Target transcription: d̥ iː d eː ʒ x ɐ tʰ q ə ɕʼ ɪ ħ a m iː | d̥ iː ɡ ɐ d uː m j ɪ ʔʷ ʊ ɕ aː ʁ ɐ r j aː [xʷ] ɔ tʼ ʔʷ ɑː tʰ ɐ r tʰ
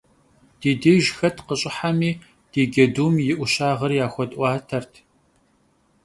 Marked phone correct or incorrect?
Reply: correct